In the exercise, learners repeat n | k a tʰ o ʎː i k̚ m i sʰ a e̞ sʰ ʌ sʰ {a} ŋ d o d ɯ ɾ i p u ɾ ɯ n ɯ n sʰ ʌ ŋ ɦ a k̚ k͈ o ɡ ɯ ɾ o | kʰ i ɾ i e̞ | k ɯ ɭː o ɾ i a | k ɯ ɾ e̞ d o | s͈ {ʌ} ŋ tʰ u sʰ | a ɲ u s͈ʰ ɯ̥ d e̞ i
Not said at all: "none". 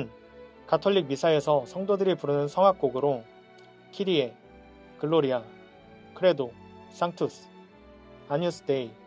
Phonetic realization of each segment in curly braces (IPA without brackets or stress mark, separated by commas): ʌ, a